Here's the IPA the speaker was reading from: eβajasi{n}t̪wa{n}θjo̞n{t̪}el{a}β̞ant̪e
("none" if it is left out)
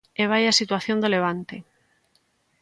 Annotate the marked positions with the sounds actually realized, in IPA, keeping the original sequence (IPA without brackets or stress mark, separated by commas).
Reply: none, none, d̪, e